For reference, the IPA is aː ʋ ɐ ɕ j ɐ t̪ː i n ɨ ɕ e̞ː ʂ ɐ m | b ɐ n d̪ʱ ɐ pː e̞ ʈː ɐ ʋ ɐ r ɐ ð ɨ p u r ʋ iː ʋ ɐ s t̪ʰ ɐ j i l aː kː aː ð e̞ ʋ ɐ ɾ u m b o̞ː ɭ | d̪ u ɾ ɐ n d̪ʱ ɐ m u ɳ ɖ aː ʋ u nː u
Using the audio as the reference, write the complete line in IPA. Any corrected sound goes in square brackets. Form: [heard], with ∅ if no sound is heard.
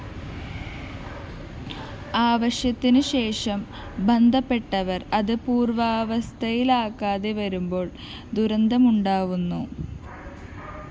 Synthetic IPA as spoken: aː ʋ ɐ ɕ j ɐ t̪ː i n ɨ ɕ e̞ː ʂ ɐ m | b ɐ n d̪ʱ ɐ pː e̞ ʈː ɐ ʋ ɐ r ɐ ð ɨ p [uː] r ʋ [aː] ʋ ɐ s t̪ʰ ɐ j i l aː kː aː ð e̞ ʋ ɐ ɾ u m b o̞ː ɭ | d̪ u ɾ ɐ n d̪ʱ ɐ m u ɳ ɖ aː ʋ u nː u